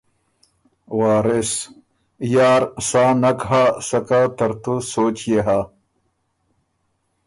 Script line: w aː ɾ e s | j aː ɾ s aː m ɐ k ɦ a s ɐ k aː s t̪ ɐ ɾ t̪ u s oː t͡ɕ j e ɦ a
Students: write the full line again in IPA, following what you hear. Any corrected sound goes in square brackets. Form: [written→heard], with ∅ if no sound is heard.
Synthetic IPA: w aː ɾ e s | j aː ɾ s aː [m→n] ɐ k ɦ a s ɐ k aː [s→∅] t̪ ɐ ɾ t̪ u s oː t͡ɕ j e ɦ a